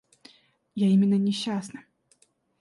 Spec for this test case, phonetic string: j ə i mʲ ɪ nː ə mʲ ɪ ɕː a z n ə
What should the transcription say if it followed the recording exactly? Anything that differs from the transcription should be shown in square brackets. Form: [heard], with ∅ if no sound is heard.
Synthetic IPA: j [a] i mʲ ɪ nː ə [nʲ] ɪ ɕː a [s] n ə